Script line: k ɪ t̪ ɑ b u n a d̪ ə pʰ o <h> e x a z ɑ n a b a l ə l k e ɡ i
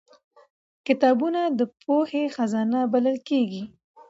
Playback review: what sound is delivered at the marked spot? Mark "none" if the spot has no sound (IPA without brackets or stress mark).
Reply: h